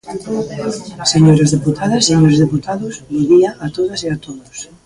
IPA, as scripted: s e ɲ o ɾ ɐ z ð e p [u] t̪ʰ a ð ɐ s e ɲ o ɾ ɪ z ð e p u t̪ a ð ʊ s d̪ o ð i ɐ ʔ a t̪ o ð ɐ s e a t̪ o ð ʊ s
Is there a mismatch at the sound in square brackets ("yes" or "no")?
no